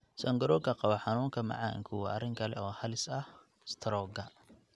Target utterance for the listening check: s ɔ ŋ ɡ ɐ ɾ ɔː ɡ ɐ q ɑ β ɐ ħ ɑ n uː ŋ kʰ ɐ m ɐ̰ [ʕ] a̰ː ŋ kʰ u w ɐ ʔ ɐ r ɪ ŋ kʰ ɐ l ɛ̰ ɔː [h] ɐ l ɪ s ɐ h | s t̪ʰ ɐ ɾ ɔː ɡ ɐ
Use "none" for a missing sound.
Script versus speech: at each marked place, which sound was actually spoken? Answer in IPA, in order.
ʕ, h

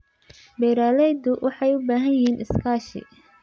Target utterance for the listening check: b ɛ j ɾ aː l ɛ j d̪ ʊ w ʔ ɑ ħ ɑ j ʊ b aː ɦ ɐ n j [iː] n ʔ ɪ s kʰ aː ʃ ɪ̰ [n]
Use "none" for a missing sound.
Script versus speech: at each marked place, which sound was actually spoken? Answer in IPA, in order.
iː, none

